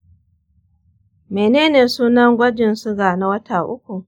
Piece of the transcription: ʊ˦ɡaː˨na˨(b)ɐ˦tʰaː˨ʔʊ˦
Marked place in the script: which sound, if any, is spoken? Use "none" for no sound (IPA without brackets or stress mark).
w